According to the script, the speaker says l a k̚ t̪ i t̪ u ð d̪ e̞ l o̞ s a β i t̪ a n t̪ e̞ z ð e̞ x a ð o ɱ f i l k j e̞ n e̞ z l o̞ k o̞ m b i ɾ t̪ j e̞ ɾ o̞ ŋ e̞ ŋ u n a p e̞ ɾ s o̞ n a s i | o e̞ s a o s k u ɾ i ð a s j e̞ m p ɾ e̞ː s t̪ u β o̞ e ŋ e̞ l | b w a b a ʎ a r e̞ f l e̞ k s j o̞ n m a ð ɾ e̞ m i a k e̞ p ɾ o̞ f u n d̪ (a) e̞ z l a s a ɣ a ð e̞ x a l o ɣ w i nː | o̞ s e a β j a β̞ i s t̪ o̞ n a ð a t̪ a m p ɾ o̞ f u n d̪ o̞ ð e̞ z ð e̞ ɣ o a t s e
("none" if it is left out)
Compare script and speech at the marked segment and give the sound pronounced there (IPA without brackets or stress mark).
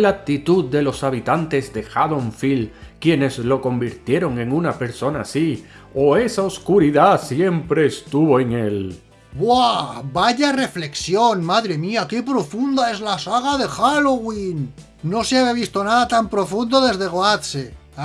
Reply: a